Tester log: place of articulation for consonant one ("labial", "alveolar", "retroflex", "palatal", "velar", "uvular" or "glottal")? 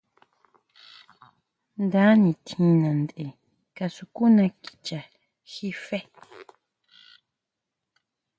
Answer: alveolar